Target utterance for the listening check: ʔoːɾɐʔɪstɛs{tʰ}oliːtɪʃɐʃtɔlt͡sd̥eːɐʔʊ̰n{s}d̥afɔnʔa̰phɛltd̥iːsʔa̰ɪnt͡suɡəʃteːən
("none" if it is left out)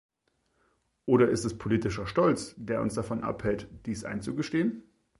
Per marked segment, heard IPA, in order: pʰ, s

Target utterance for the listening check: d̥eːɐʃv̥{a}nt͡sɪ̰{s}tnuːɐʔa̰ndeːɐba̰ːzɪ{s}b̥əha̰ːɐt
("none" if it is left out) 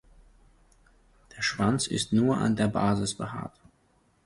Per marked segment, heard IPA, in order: a, s, s

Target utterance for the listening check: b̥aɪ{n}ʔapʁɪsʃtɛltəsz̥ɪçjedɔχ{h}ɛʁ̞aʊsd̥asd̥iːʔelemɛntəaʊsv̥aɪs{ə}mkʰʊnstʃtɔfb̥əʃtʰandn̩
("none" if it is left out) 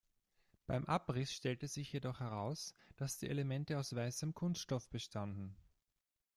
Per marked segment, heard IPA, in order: m, h, ə

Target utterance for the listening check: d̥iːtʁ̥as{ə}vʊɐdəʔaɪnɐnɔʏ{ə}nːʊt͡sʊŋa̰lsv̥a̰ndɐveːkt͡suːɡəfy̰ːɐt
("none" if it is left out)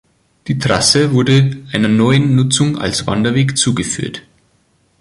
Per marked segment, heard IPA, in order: ə, ə

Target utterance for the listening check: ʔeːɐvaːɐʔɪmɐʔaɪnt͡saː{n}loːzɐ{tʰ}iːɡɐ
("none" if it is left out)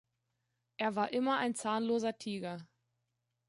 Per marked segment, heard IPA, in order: n, tʰ

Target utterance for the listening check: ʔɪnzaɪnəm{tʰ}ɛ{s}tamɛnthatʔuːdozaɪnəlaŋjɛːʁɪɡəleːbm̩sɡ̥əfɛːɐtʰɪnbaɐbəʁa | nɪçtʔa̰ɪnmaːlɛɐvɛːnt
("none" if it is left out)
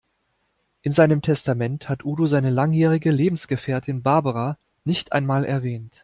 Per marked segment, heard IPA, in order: tʰ, s

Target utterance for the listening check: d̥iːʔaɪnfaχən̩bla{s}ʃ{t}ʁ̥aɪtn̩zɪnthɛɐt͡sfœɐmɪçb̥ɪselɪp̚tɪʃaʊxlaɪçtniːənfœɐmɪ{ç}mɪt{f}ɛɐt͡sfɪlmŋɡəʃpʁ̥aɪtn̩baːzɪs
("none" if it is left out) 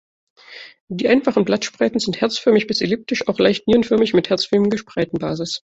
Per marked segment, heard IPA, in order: t, p, ç, h

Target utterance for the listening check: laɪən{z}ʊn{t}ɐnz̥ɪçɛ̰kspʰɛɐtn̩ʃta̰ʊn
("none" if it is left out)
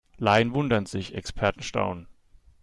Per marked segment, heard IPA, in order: v, d

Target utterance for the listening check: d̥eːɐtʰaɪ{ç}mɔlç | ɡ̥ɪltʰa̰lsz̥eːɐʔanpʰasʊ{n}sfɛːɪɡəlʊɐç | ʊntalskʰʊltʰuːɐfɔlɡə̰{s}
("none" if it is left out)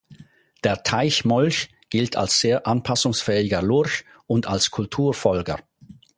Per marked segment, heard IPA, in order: ç, ŋ, none

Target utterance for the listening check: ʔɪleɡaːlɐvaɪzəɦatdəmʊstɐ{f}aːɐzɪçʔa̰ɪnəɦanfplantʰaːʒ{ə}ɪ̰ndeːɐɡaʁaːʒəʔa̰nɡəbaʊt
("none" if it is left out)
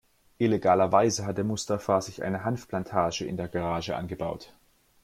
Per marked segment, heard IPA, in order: f, ə

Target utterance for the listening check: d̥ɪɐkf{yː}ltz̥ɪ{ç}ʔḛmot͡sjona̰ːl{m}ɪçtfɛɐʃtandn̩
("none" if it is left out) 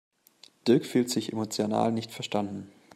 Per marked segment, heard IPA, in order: yː, ç, n

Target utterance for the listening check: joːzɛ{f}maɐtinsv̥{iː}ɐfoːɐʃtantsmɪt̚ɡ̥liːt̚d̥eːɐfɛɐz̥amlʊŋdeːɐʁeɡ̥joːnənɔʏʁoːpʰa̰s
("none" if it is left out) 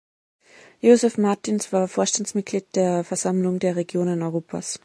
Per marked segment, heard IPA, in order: f, aː

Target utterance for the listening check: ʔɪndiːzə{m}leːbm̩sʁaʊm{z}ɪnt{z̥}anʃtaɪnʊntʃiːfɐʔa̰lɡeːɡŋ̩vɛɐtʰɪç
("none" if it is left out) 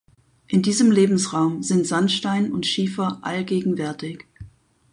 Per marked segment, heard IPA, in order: m, z, z̥

